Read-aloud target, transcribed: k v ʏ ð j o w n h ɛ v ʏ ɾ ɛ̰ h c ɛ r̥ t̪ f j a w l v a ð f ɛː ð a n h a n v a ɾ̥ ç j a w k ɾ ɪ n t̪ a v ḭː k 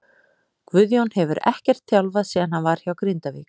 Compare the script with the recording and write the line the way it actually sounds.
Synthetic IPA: k v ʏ ð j o w n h ɛ v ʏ ɾ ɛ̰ h c ɛ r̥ t̪ θ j a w l v a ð s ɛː ð a n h a n v a ɾ̥ ç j a w k ɾ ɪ n t̪ a v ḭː k